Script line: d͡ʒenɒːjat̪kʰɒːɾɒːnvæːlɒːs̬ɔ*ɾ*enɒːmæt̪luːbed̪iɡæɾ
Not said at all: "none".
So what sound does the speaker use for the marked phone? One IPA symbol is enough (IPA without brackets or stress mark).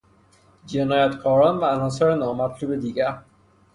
ɾ